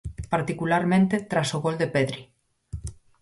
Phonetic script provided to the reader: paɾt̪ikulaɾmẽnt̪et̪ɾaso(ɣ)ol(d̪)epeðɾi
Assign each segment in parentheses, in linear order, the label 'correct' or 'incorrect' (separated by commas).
correct, correct